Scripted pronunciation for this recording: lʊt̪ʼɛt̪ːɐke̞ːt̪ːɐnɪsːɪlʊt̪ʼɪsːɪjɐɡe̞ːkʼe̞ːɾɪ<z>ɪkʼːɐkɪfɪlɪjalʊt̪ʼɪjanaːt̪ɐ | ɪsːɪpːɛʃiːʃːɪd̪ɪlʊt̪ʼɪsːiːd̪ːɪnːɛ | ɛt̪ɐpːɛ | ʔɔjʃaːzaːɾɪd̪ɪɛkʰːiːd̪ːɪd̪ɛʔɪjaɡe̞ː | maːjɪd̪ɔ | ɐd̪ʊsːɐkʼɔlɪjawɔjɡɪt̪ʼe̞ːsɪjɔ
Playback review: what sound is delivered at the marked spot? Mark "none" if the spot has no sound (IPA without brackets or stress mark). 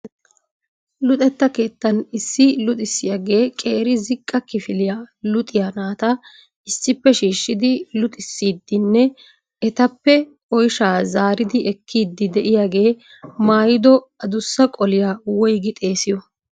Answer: z